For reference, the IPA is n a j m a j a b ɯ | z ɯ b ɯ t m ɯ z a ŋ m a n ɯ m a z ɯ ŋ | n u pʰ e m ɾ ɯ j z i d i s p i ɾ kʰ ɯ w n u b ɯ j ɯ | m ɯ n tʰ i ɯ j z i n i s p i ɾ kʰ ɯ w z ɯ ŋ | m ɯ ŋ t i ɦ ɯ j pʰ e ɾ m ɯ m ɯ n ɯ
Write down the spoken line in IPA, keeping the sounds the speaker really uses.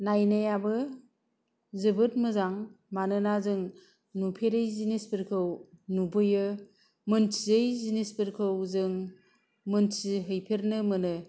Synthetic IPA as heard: n a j n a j a b ɯ | z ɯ b ɯ t m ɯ z a ŋ m a n ɯ n a z ɯ ŋ | n u pʰ e ɾ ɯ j z i n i s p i ɾ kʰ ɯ w n u b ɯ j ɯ | m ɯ n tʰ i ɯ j z i n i s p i ɾ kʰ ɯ w z ɯ ŋ | m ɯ n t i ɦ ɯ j pʰ e ɾ n ɯ m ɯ n ɯ